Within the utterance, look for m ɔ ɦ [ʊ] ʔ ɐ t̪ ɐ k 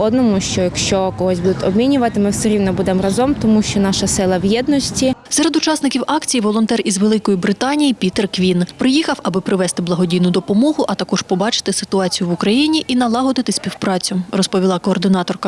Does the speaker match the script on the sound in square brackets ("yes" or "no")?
yes